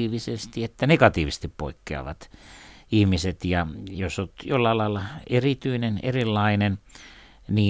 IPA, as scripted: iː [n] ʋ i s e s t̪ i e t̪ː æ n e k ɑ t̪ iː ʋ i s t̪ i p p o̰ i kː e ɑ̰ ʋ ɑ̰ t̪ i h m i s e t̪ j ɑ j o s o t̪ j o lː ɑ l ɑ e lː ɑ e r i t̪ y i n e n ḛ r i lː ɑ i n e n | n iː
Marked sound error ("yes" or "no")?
yes